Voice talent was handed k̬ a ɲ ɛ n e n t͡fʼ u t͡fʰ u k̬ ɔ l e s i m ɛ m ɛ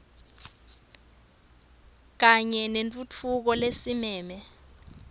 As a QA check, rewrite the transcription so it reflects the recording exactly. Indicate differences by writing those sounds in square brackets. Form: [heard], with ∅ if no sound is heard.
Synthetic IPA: k̬ a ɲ ɛ n e n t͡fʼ u t͡fʰ u k̬ ɔ l e s i m [ɛː] m ɛ